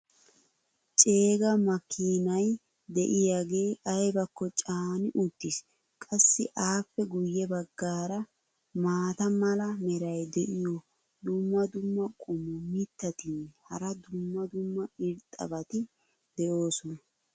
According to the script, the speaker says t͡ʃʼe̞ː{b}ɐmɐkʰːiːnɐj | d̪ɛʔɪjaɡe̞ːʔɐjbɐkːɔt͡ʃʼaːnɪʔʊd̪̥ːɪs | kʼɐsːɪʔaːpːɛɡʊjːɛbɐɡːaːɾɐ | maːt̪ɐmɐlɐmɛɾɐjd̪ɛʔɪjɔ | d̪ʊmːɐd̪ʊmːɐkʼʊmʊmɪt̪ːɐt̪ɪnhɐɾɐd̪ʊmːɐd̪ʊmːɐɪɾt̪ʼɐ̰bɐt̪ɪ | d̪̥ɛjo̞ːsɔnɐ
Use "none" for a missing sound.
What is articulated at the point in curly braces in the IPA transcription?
ɡ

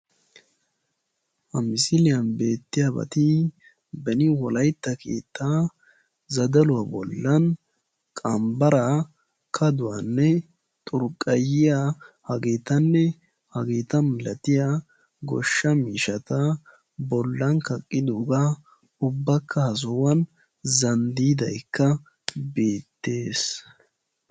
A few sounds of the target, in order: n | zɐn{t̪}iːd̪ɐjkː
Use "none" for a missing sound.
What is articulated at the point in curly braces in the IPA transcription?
d̪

